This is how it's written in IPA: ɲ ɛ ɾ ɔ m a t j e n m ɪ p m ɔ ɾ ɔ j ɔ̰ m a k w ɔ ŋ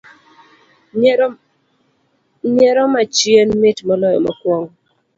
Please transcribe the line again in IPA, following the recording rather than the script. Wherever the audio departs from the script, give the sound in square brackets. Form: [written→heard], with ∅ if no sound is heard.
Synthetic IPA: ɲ ɛ ɾ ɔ m a [t→t͡ʃ] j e n m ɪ [p→t] m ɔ [ɾ→l] ɔ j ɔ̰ m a k w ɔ ŋ